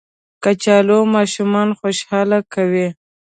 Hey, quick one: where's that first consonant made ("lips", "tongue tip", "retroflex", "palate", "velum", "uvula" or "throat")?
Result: velum